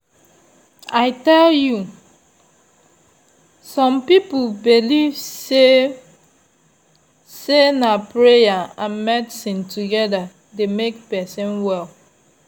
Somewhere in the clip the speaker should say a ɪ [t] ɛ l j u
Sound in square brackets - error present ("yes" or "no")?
no